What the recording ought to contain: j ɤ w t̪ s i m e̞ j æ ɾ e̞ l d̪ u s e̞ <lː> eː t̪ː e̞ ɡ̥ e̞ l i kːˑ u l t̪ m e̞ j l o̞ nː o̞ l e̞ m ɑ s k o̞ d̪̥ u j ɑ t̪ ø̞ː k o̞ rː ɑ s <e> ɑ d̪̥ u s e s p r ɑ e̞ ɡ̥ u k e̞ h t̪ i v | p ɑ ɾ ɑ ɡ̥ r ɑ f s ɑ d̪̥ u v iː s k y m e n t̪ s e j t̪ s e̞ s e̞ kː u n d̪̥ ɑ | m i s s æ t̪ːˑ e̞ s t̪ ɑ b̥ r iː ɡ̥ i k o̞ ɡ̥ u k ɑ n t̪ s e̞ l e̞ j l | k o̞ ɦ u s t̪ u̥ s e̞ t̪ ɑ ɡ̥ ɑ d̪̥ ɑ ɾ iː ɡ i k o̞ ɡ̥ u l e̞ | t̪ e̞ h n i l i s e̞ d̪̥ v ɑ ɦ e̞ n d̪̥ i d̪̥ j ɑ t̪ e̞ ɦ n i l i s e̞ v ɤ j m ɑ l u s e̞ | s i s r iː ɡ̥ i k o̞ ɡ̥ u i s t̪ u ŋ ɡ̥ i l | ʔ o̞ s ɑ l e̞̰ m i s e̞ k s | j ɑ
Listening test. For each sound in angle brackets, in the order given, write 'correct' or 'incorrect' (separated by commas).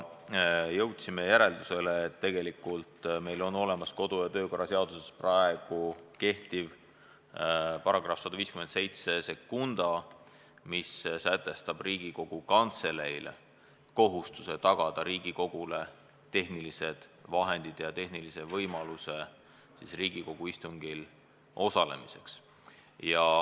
incorrect, correct